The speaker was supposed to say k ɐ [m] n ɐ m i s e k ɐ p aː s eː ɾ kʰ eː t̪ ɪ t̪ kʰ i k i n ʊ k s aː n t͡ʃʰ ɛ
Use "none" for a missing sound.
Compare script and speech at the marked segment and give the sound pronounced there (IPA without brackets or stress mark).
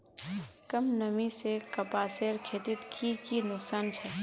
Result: m